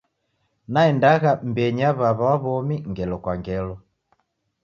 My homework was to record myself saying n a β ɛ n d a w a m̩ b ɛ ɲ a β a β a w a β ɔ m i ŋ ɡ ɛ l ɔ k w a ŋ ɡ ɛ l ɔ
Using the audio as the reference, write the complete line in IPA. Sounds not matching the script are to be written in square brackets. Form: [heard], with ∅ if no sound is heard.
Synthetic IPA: n a [∅] ɛ n d a [ɣ] a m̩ b ɛ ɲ a β a β a w a β ɔ m i ŋ ɡ ɛ l ɔ k w a ŋ ɡ ɛ l ɔ